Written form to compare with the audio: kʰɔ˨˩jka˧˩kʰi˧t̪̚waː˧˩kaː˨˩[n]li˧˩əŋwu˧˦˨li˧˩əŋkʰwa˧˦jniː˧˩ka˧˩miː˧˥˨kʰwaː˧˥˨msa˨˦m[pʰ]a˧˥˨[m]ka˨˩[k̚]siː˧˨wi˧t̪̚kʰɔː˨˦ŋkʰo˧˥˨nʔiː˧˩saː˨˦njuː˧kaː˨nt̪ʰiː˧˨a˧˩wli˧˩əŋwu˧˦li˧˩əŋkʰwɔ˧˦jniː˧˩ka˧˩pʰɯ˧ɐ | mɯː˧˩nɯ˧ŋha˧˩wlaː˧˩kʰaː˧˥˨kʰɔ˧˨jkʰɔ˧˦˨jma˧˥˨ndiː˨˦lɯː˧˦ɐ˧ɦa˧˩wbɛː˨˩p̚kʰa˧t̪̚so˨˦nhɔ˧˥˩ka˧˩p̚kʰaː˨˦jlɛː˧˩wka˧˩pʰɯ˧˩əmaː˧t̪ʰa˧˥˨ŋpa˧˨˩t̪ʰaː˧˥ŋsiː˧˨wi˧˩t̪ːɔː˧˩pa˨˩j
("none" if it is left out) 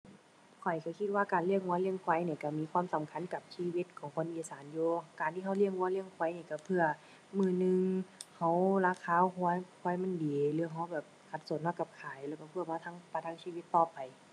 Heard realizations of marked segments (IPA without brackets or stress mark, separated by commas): n, kʰ, n, p̚